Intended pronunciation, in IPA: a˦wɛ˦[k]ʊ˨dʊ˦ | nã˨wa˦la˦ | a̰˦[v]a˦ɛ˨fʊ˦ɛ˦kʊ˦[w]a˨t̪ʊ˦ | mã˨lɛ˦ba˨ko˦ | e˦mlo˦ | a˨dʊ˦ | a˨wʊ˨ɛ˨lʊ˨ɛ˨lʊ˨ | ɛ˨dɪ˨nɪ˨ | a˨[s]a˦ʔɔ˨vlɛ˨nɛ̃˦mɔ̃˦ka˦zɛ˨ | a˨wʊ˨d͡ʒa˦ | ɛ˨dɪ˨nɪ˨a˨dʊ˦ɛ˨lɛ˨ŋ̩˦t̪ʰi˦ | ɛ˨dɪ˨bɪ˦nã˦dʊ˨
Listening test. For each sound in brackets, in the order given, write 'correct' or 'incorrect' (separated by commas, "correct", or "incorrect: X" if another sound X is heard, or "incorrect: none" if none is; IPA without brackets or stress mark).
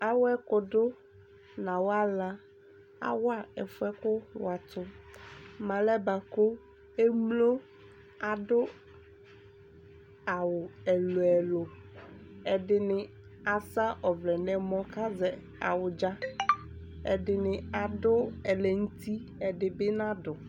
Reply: correct, incorrect: w, correct, correct